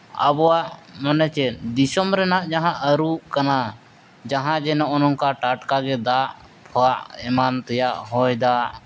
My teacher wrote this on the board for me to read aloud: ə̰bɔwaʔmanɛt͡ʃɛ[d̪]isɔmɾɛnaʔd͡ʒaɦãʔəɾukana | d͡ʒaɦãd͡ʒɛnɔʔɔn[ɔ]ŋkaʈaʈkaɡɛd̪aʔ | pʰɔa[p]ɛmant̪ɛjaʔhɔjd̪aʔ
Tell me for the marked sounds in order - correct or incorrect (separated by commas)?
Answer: correct, correct, incorrect